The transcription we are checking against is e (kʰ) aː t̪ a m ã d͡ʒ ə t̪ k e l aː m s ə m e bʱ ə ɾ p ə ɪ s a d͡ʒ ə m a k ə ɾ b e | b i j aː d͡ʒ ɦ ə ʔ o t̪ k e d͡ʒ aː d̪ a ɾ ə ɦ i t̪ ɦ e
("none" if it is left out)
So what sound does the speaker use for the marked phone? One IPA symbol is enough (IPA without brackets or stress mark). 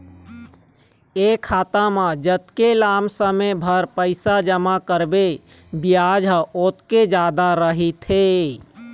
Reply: kʰ